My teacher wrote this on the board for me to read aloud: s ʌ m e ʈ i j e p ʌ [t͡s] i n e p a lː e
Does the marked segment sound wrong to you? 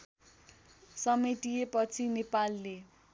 yes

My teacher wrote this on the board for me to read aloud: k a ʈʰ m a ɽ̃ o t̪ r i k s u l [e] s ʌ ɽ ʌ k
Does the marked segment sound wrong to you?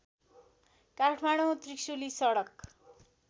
yes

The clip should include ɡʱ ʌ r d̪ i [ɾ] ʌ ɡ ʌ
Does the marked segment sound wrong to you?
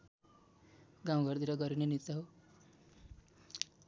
no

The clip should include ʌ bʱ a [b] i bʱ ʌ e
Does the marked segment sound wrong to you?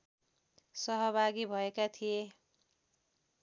yes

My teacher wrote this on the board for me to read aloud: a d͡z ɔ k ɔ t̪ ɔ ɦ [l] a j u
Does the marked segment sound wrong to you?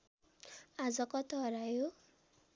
yes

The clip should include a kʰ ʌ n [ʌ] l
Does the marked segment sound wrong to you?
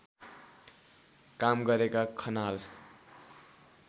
yes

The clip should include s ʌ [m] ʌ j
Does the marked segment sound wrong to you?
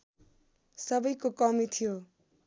yes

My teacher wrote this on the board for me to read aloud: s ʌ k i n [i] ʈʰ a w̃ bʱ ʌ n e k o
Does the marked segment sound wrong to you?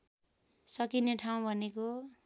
yes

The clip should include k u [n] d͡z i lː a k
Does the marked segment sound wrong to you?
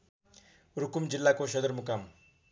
yes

